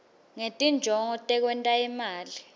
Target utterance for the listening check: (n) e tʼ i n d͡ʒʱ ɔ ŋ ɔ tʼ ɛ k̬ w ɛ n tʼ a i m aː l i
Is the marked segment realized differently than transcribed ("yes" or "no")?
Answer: yes